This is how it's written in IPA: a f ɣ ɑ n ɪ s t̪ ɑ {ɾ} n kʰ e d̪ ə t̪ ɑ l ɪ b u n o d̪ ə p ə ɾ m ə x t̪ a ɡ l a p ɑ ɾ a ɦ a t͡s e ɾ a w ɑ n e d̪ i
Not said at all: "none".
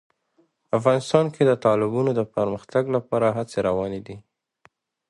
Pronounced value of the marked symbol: none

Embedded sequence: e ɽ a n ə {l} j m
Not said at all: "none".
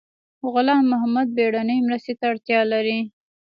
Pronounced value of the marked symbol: none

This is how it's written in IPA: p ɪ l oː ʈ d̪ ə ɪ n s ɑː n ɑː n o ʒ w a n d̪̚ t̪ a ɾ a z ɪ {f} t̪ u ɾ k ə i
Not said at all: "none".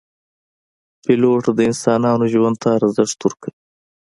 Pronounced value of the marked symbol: ʂ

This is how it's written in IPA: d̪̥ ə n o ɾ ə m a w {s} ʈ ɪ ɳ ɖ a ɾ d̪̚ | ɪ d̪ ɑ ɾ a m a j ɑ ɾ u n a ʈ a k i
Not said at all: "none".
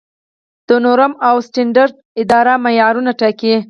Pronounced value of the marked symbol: s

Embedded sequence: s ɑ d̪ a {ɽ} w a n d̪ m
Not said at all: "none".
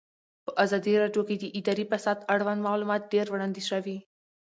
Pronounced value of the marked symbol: ɽ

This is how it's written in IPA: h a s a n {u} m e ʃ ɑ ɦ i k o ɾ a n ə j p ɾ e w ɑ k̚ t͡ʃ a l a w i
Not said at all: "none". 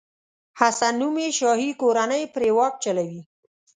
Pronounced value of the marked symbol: u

